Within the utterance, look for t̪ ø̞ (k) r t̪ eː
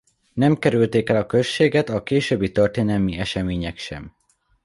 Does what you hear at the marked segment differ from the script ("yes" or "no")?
yes